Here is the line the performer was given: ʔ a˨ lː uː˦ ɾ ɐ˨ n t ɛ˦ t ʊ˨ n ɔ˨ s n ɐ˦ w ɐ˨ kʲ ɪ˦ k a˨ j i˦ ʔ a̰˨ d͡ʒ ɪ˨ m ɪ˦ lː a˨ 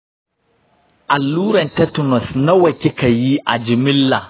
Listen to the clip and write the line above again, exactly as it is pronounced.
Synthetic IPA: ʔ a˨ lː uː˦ ɾ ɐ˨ n t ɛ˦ t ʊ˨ n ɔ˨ s n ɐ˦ w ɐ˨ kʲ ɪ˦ k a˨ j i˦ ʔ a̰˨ d͡ʒ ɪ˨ m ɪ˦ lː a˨